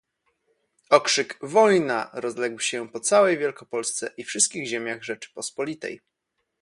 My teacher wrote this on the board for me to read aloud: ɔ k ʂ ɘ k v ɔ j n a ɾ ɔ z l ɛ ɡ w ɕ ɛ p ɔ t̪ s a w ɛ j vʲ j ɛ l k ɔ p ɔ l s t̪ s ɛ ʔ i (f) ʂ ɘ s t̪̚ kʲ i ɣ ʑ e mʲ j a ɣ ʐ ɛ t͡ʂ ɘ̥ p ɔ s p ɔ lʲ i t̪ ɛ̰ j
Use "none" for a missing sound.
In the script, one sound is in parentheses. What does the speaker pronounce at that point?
f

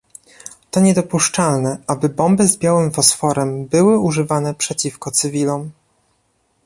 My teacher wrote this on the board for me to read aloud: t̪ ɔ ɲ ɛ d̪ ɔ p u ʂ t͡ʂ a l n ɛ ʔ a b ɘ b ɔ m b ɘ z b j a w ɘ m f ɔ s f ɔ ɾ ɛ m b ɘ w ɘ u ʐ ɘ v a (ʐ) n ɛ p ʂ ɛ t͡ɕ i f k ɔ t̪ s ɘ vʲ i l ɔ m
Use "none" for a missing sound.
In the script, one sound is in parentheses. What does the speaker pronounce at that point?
none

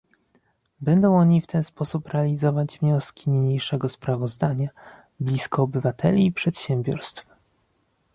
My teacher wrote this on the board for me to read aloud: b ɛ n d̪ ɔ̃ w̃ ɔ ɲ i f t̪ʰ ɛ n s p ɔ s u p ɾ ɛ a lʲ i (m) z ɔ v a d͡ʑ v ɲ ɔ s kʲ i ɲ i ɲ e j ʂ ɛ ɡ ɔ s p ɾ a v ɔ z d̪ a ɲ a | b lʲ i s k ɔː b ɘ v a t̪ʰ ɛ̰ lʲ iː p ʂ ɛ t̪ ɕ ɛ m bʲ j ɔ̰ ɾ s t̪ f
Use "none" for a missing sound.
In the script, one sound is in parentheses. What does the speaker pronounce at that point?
none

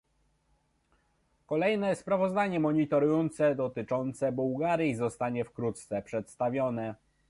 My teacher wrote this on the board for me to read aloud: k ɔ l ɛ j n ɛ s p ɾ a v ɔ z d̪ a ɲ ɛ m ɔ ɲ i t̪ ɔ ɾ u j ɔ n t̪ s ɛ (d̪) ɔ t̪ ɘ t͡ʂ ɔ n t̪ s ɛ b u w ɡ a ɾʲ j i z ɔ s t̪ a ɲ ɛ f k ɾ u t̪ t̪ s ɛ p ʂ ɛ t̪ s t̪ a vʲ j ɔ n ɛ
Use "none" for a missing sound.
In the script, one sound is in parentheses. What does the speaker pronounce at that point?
d̪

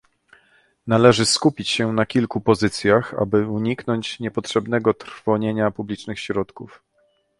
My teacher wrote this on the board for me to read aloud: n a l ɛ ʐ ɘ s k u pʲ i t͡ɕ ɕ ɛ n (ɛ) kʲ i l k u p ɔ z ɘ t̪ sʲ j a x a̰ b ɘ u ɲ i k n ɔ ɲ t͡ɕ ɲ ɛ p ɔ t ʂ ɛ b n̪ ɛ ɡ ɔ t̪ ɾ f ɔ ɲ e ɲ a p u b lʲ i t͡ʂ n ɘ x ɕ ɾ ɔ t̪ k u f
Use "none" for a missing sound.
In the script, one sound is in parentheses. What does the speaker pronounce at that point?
a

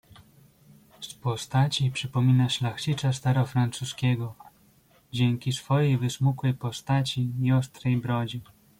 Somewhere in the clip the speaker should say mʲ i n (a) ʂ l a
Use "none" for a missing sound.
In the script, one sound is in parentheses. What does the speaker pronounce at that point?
a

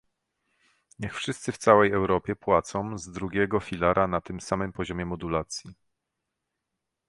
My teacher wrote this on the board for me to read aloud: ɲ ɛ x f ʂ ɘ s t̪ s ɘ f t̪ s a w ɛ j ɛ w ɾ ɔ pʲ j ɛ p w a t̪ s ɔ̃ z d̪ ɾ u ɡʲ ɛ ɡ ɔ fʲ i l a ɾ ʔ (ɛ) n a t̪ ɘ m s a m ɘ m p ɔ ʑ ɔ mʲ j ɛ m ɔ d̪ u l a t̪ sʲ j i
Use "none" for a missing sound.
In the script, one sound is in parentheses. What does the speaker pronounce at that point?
a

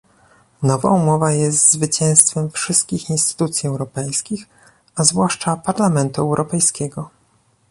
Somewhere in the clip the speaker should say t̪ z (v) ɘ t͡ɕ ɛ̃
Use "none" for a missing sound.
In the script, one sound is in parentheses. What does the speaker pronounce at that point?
v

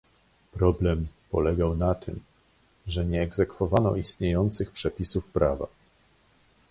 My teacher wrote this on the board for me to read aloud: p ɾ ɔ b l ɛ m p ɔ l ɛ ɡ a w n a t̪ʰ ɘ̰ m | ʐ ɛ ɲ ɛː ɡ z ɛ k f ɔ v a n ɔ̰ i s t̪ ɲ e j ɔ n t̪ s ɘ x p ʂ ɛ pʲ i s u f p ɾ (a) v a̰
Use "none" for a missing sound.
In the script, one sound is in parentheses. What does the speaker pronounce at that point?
a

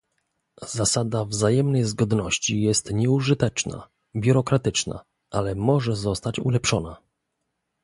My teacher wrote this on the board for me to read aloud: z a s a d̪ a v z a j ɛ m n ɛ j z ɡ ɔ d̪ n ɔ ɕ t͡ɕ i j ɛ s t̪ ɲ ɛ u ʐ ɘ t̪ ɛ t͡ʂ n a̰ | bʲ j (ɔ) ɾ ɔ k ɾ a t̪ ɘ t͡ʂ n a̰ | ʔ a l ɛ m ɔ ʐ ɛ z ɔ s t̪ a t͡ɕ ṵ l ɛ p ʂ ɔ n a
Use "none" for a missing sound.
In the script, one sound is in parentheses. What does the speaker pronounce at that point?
u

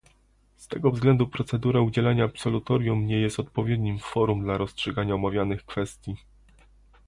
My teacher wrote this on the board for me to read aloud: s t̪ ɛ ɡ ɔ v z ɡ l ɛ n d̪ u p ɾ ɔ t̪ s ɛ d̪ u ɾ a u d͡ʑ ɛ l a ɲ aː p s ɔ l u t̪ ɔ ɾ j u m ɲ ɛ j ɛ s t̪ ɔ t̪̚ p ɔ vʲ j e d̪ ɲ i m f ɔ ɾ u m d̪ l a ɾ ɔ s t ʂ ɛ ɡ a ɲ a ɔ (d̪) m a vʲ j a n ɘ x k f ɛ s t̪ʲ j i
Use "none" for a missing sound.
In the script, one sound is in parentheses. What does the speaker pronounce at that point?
none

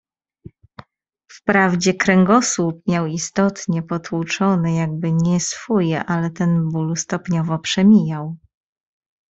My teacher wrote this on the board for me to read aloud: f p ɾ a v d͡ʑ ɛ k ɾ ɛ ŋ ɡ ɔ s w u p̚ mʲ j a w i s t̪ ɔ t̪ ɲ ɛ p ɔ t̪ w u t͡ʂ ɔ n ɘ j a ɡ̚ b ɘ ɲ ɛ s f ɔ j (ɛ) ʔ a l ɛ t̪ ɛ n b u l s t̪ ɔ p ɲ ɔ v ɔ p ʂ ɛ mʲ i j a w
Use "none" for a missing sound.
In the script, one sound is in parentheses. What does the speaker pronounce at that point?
ɛ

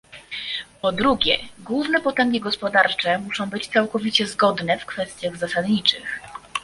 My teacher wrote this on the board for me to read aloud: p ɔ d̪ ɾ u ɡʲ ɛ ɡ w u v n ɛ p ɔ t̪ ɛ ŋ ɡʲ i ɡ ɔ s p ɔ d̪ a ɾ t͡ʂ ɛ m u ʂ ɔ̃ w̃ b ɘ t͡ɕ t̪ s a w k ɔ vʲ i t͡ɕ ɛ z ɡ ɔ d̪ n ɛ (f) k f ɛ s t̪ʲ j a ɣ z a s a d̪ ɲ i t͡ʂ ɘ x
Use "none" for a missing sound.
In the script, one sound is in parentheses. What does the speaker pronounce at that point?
f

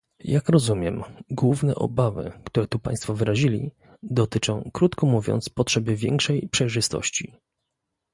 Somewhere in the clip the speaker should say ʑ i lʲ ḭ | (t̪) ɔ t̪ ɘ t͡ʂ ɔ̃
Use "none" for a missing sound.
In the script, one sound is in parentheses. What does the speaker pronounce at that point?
d̪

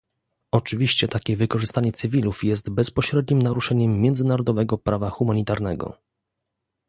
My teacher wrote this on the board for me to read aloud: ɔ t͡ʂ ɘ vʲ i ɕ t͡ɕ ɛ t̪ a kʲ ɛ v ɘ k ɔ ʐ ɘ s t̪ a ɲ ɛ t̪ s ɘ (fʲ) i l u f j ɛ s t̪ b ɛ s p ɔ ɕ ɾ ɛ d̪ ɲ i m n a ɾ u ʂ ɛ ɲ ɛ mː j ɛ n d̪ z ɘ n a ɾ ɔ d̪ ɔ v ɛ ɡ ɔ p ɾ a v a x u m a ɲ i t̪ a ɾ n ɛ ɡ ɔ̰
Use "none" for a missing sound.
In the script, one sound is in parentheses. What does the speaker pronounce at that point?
vʲ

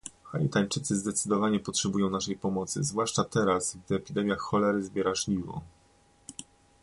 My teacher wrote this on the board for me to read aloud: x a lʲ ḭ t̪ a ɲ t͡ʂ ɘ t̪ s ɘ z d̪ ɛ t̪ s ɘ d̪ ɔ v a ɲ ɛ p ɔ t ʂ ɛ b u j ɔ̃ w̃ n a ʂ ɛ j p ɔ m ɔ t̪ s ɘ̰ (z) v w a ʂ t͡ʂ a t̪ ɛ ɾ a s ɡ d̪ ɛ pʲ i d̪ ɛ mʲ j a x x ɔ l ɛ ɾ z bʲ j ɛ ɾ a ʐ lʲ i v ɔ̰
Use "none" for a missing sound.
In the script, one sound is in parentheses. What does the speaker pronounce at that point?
z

